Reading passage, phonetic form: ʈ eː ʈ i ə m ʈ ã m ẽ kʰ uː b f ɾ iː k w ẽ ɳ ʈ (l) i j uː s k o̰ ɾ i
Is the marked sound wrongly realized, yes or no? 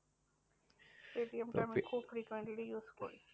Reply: no